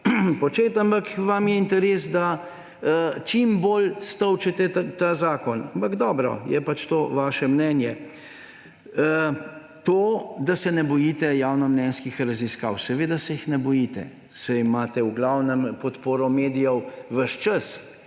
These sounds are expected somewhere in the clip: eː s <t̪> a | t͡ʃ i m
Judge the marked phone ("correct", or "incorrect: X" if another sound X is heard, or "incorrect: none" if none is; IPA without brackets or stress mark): incorrect: d̪